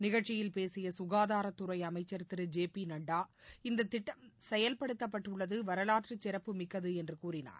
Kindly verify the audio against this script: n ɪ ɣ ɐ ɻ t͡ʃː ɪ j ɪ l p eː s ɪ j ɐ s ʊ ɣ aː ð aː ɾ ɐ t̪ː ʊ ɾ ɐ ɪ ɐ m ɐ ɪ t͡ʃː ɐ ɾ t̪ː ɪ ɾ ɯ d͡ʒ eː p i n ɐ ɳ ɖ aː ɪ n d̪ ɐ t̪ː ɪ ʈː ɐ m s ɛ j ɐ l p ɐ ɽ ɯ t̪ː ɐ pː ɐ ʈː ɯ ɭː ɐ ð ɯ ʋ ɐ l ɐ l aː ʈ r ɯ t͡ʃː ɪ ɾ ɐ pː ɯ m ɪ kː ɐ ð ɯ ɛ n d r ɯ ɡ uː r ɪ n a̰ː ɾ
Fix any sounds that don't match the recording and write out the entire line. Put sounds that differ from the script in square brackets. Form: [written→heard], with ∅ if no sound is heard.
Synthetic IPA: n ɪ ɣ ɐ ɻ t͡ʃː ɪ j ɪ l p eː s ɪ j ɐ s ʊ ɣ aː ð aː ɾ ɐ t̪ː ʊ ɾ ɐ ɪ ɐ m ɐ ɪ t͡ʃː ɐ ɾ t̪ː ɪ ɾ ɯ d͡ʒ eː p i n ɐ ɳ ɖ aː ɪ n d̪ ɐ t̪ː ɪ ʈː ɐ m s ɛ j ɐ l p ɐ ɽ ɯ t̪ː ɐ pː ɐ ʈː ɯ ɭː ɐ ð ɯ ʋ ɐ [l→ɾ] ɐ l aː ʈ r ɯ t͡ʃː ɪ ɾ ɐ pː ɯ m ɪ kː ɐ ð ɯ ɛ n d r ɯ [ɡ→k] uː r ɪ n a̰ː ɾ